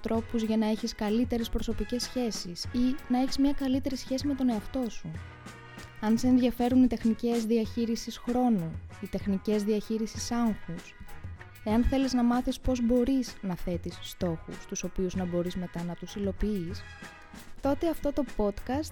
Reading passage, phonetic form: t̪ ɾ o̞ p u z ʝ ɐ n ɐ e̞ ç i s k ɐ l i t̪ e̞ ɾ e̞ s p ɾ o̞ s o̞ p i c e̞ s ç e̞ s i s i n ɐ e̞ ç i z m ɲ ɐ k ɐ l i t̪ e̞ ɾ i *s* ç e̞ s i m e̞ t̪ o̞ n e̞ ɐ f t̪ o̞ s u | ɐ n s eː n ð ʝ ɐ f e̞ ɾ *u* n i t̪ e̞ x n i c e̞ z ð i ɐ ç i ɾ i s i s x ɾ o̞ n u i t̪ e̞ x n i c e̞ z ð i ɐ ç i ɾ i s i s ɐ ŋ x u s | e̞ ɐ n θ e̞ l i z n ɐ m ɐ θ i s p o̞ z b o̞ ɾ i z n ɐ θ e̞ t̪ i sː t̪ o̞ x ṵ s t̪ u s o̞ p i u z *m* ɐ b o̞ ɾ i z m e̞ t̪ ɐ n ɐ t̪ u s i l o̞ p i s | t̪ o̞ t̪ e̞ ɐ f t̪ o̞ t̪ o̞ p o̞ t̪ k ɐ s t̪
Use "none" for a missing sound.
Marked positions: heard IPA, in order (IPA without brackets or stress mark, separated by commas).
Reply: s, u, n